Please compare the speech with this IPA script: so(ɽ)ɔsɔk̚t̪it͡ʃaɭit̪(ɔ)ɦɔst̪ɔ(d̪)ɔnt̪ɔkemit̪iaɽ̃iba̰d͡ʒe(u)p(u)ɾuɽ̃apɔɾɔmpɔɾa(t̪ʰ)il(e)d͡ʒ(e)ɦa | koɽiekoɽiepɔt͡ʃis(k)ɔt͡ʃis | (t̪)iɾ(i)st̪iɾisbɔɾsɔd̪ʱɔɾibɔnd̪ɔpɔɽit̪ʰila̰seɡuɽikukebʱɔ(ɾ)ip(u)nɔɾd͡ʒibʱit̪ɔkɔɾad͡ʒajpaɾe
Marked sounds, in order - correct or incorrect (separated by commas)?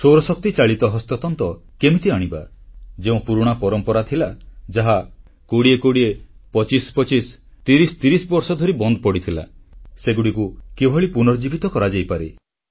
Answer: incorrect, correct, incorrect, incorrect, correct, correct, incorrect, incorrect, incorrect, correct, correct, incorrect, correct